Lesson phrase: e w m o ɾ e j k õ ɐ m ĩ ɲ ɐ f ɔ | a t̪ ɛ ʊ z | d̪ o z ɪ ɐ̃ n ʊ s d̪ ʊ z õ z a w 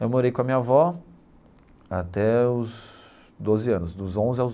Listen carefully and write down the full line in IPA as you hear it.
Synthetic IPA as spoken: e w m o ɾ e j k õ ɐ m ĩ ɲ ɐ v ɔ | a t̪ ɛ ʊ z | d̪ o z ɪ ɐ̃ n ʊ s d̪ ʊ z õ z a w